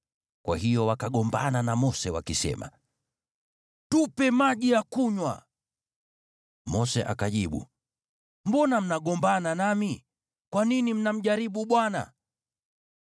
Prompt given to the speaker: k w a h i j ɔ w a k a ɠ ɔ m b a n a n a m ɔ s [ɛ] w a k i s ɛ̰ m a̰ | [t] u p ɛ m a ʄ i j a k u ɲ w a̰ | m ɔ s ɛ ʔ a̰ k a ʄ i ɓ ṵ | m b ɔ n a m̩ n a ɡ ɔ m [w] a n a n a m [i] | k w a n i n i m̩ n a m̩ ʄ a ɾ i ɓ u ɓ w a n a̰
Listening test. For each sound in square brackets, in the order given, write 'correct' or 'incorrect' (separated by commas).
correct, correct, incorrect, correct